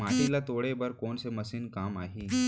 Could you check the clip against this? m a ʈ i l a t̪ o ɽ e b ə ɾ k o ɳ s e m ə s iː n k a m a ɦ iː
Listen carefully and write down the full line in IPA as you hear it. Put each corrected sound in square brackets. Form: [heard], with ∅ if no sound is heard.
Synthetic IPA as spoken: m a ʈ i l a t̪ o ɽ e b ə ɾ k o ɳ s e m ə s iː n k a m a ɦ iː